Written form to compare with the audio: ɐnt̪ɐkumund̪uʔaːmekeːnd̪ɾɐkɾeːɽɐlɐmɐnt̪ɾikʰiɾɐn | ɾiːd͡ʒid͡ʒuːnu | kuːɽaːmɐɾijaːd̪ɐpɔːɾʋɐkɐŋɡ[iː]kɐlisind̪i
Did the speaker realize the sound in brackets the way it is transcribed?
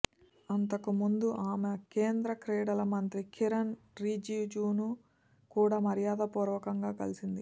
no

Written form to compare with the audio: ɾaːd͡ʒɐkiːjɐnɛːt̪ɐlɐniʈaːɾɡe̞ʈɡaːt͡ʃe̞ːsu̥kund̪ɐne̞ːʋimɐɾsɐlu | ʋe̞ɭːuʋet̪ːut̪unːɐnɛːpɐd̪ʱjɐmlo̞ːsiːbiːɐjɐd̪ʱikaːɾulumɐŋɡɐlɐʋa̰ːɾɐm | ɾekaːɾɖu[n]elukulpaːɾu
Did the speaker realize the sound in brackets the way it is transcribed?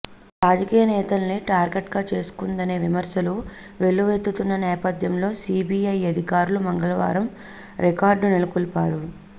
yes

